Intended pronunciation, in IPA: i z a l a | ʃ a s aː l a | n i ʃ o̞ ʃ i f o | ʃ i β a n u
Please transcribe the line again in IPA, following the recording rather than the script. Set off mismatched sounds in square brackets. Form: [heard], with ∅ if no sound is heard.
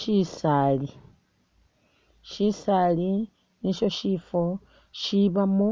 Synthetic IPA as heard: i [s] a l [i] | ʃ [i] s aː l [i] | n i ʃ o̞ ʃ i f o | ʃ i β a [m] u

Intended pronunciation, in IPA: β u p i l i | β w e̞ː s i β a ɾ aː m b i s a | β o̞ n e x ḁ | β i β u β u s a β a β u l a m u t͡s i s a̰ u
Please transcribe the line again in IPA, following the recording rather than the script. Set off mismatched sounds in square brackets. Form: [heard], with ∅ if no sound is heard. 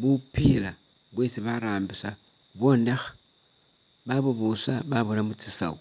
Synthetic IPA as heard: β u p i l [a] | β w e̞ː s i β a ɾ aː m b i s a | β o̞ n e x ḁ | β [a] β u β u s a β a β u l a m u t͡s i s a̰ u

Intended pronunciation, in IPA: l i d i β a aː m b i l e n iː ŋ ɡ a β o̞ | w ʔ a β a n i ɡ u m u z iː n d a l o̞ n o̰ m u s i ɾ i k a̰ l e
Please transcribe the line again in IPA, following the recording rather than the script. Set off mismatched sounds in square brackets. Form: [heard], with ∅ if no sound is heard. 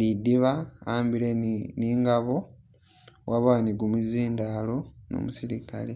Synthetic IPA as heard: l i d i β a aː m b i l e n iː ŋ ɡ a β o̞ | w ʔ a β a n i ɡ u m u z iː n d a l o̞ n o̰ m u s i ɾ i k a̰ l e

